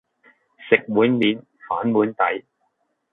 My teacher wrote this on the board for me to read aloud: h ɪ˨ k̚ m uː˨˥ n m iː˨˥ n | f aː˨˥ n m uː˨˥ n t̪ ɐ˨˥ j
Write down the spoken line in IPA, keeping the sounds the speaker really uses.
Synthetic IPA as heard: s ɪ˨ k̚ m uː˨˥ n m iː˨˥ n | f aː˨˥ n m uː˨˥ n t̪ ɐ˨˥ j